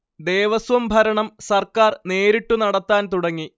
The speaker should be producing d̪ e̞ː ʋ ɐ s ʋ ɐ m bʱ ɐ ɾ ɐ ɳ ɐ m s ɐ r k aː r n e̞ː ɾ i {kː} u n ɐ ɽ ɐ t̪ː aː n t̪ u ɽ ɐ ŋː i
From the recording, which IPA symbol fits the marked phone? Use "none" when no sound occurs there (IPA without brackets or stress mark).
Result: ʈː